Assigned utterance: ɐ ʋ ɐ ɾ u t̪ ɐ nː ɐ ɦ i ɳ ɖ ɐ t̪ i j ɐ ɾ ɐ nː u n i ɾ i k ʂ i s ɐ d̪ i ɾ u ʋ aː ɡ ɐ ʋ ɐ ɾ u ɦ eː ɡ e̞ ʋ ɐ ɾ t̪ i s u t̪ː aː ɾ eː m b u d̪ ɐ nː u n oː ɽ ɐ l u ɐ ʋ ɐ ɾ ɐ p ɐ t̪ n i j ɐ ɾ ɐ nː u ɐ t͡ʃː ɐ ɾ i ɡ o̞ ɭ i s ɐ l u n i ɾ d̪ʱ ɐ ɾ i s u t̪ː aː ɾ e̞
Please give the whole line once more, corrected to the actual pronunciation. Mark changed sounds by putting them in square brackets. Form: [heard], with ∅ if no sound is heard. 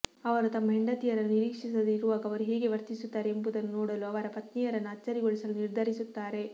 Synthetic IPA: ɐ ʋ ɐ ɾ u t̪ ɐ [mː] ɐ ɦ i ɳ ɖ ɐ t̪ i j ɐ ɾ ɐ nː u n i ɾ [iː] k ʂ i s ɐ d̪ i ɾ u ʋ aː ɡ ɐ ʋ ɐ ɾ u ɦ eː ɡ e̞ ʋ ɐ ɾ t̪ i s u t̪ː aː ɾ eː m b u d̪ ɐ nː u n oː ɽ ɐ l u ɐ ʋ ɐ ɾ ɐ p ɐ t̪ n i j ɐ ɾ ɐ nː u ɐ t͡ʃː ɐ ɾ i ɡ o̞ ɭ i s ɐ l u n i ɾ d̪ʱ ɐ ɾ i s u t̪ː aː ɾ e̞